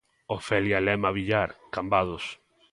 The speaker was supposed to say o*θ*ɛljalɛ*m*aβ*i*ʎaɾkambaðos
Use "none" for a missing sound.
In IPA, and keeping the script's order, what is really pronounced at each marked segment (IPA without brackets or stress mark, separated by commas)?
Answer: f, m, i